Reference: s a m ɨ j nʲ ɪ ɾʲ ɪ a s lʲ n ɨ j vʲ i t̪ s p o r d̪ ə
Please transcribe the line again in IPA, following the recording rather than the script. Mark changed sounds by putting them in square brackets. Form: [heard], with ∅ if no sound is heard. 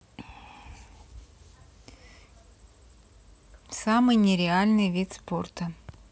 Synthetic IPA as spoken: s a m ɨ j nʲ ɪ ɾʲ ɪ a [∅] lʲ n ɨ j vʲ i t̪ s p o r [t̪] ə